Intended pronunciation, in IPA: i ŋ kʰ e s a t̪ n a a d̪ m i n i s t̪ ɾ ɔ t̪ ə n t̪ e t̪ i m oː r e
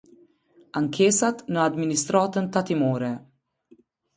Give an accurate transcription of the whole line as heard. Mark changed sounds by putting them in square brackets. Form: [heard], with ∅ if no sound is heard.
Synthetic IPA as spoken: [a] ŋ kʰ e s a t̪ n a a d̪ m i n i s t̪ ɾ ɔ t̪ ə n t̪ [a] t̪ i m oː [ɾ] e